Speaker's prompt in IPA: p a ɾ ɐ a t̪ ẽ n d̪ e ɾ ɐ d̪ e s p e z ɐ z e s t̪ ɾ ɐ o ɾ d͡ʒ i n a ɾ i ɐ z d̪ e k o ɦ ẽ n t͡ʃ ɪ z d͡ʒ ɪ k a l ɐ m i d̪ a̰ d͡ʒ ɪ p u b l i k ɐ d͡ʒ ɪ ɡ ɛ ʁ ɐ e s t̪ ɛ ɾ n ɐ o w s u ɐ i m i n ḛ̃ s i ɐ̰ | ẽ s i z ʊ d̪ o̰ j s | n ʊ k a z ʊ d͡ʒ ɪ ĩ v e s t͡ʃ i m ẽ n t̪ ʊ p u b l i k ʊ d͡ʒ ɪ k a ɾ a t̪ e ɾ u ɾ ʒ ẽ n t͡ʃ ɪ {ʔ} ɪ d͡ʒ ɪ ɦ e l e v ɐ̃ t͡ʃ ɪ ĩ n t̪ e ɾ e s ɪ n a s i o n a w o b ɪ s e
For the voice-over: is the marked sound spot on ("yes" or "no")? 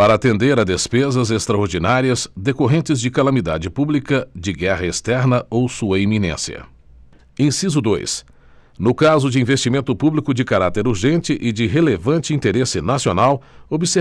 yes